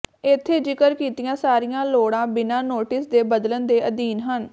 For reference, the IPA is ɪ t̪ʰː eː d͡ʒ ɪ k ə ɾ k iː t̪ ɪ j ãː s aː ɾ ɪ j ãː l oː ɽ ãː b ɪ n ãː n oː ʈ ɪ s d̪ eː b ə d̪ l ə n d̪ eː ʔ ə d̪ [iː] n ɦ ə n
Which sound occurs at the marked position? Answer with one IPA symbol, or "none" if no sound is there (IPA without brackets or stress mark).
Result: iː